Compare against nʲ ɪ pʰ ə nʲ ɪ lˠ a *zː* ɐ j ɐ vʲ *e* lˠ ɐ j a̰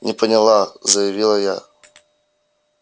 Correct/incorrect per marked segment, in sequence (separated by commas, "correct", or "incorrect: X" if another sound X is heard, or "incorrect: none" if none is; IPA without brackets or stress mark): incorrect: z, incorrect: i